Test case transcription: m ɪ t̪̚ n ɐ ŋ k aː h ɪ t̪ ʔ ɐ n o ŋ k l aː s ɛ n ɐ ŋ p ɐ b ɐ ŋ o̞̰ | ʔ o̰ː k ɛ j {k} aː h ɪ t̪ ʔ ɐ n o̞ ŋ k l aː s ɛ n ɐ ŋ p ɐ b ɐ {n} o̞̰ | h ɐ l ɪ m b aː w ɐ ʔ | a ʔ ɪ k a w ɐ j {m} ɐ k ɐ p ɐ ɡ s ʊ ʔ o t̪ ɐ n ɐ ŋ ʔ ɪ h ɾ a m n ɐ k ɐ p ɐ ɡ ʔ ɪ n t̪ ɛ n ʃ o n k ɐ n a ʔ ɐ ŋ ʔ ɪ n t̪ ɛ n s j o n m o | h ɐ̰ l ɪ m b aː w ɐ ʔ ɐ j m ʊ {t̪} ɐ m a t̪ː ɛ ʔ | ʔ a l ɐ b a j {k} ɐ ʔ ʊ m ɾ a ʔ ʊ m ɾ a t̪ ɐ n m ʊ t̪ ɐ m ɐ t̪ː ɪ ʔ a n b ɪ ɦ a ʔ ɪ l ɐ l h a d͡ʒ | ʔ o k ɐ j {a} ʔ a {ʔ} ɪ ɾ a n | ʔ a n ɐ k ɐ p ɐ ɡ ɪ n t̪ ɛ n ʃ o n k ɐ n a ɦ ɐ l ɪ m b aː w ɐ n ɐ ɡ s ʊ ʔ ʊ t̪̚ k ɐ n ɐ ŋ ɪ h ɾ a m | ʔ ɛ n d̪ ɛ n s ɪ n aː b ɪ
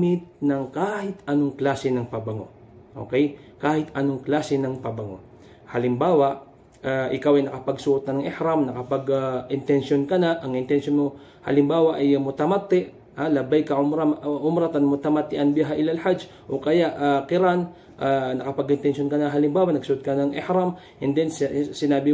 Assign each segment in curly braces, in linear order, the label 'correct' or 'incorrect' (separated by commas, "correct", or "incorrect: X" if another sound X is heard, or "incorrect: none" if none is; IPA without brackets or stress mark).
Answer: correct, incorrect: ŋ, incorrect: n, correct, correct, correct, incorrect: k